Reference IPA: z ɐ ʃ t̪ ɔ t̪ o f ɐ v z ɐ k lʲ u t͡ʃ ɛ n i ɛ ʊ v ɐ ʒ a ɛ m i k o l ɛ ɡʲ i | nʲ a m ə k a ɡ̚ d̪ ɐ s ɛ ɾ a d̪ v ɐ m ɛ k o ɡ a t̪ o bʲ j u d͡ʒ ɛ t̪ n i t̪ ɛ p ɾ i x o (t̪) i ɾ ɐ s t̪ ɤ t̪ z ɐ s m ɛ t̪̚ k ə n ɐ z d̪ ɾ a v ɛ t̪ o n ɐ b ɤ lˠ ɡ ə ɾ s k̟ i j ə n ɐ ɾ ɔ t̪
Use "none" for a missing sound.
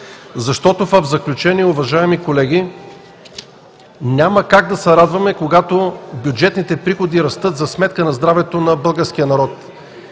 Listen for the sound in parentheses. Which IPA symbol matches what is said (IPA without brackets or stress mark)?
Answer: d̪